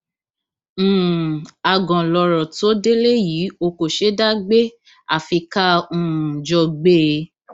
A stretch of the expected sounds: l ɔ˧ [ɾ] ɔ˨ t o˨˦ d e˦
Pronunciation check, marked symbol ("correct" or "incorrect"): correct